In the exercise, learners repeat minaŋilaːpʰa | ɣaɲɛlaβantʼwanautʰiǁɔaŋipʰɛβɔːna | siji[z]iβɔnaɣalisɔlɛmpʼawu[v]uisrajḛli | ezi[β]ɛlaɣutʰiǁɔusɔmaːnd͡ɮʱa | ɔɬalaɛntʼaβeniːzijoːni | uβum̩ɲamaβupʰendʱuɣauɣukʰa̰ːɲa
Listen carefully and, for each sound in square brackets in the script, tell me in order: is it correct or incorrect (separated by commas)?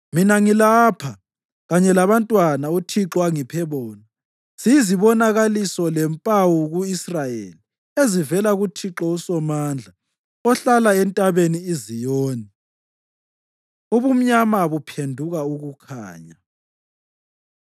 correct, incorrect, incorrect